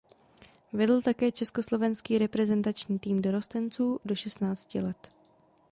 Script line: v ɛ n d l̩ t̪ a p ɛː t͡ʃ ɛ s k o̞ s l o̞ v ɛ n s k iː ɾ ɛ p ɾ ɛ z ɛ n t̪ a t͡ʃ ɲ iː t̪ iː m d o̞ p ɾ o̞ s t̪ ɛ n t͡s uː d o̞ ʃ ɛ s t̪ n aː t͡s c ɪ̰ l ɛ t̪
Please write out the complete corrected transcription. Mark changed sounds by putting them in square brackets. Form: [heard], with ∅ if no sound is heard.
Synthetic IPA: v ɛ [∅] d l̩ t̪ a [k] ɛː t͡ʃ ɛ s k o̞ s l o̞ v ɛ n s k iː ɾ ɛ p ɾ ɛ z ɛ n t̪ a t͡ʃ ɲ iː t̪ iː m d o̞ [∅] ɾ o̞ s t̪ ɛ n t͡s uː d o̞ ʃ ɛ s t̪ n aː t͡s c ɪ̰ l ɛ t̪

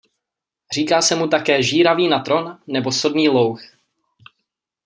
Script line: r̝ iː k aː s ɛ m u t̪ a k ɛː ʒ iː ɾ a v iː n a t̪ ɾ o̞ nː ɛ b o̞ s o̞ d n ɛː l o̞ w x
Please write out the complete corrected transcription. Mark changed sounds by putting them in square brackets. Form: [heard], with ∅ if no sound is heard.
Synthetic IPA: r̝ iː k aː s ɛ m u t̪ a k ɛː ʒ iː ɾ a v iː n a t̪ ɾ o̞ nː ɛ b o̞ s o̞ d n [iː] l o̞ w x

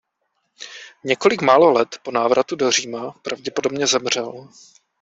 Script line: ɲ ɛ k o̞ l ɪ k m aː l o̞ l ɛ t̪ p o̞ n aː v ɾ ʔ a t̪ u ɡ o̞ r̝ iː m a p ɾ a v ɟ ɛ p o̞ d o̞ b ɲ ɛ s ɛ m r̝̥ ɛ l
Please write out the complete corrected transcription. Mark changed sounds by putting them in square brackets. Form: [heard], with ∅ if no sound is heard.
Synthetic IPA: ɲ ɛ k o̞ l ɪ k m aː l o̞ l ɛ t̪ p o̞ n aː v ɾ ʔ a t̪ u [d] o̞ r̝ iː m a p ɾ a v ɟ ɛ p o̞ d o̞ b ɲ ɛ [z] ɛ m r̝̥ ɛ l

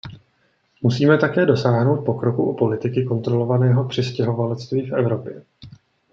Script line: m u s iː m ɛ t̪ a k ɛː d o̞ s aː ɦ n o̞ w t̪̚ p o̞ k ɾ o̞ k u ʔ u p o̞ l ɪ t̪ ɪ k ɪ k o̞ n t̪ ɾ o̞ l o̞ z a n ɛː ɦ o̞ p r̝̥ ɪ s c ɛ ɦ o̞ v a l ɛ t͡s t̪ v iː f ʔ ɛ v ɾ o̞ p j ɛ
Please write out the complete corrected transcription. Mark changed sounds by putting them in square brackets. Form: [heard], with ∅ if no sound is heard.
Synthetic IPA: m u s iː m ɛ t̪ a k ɛː d o̞ s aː ɦ n o̞ w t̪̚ p o̞ k ɾ o̞ k u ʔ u p o̞ l ɪ t̪ ɪ k ɪ k o̞ n t̪ ɾ o̞ l o̞ [v] a n ɛː ɦ o̞ p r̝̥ ɪ s c ɛ ɦ o̞ v a l ɛ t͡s t̪ v iː f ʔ ɛ v ɾ o̞ p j ɛ

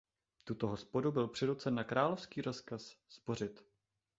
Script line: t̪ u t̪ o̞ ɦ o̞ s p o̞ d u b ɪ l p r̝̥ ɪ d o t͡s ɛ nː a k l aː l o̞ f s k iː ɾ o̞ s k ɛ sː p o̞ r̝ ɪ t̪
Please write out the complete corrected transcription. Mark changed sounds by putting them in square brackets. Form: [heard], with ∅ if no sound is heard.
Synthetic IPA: t̪ u t̪ o̞ ɦ o̞ s p o̞ d u b ɪ l p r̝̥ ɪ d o t͡s ɛ nː a k [ɾ] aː l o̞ f s k iː ɾ o̞ s k [a] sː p o̞ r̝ ɪ t̪

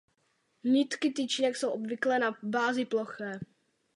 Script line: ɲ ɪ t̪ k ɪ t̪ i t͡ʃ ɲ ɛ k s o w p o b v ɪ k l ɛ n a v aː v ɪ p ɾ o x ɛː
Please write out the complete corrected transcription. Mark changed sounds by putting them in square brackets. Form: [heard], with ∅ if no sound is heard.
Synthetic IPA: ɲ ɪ t̪ k ɪ t̪ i t͡ʃ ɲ ɛ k s o w [ʔ] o b v ɪ k l ɛ n a [b] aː [z] ɪ p [l] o x ɛː

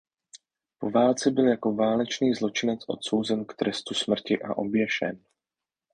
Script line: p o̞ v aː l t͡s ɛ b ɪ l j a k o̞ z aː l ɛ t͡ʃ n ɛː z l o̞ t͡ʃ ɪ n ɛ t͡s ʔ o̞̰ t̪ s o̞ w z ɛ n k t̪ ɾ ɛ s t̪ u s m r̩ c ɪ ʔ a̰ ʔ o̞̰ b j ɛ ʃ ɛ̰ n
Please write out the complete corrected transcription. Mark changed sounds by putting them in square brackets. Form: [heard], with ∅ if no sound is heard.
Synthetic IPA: p o̞ v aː l t͡s ɛ b ɪ l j a k o̞ [v] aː l ɛ t͡ʃ n [iː] z l o̞ t͡ʃ ɪ n ɛ t͡s ʔ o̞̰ t̪ s o̞ w z ɛ n k t̪ ɾ ɛ s t̪ u s m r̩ c ɪ ʔ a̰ ʔ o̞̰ b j ɛ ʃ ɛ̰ n

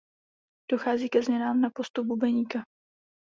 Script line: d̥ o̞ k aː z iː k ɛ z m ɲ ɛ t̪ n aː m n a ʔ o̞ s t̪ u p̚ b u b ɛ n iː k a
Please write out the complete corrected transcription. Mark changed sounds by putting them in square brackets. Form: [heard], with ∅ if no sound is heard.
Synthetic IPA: d̥ o̞ [x] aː z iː k ɛ z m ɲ ɛ [∅] n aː m n a [p] o̞ s t̪ u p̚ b u b ɛ [ɲ] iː k a

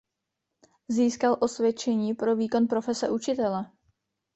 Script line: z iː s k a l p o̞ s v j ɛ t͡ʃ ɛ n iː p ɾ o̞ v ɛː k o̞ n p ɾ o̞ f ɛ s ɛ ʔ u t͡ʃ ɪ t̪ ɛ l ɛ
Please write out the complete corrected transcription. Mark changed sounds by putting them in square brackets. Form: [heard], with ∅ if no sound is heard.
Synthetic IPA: z iː s k a l [ʔ] o̞ s v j ɛ t͡ʃ ɛ [ɲ] iː p ɾ o̞ v [iː] k o̞ n p ɾ o̞ f ɛ s ɛ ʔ u t͡ʃ ɪ t̪ ɛ l ɛ

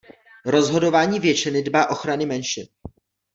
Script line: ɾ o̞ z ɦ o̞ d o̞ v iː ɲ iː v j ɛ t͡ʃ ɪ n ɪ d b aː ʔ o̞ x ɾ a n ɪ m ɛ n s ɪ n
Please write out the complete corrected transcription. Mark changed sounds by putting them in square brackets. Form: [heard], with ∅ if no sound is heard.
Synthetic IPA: ɾ o̞ z ɦ o̞ d o̞ v [aː] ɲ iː v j ɛ t͡ʃ ɪ n ɪ d b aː ʔ o̞ x ɾ a n ɪ m ɛ n [ʃ] ɪ n

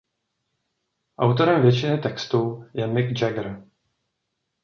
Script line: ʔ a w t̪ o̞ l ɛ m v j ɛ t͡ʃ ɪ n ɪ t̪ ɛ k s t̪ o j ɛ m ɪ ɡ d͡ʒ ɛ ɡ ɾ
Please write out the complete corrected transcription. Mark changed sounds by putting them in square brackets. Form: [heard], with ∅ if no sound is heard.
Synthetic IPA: ʔ a w t̪ o̞ [ɾ] ɛ m v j ɛ t͡ʃ ɪ n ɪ t̪ ɛ k s t̪ [u] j ɛ m ɪ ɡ d͡ʒ ɛ ɡ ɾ

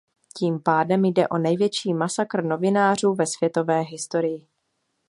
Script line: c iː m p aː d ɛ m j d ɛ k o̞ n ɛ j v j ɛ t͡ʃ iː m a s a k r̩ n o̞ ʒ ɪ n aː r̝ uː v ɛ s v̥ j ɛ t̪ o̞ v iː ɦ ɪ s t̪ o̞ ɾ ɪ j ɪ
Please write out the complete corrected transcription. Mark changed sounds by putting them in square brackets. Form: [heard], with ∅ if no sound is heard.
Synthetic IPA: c iː m p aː d ɛ m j d ɛ [ʔ] o̞ n ɛ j v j ɛ t͡ʃ iː m a s a k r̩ n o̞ [v] ɪ n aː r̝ uː v ɛ s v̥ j ɛ t̪ o̞ v [ɛː] ɦ ɪ s t̪ o̞ ɾ ɪ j ɪ

